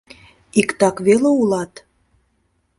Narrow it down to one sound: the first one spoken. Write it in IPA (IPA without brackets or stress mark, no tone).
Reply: i